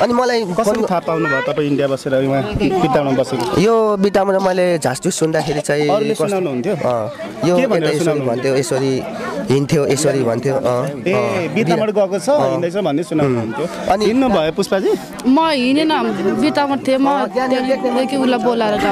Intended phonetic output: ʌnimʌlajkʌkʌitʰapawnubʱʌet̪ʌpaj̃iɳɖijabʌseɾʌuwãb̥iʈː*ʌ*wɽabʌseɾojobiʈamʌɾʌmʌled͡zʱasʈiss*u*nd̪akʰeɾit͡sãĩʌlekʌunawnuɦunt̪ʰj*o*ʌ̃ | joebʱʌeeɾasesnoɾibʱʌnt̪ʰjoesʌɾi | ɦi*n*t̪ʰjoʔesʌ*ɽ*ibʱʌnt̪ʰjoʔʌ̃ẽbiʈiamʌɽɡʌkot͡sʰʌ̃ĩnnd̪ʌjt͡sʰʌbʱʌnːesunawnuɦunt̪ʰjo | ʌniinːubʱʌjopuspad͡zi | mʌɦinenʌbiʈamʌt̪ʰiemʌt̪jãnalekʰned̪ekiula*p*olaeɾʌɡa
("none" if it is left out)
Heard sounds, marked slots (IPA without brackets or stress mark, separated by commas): a, u, o, n, ɾ, b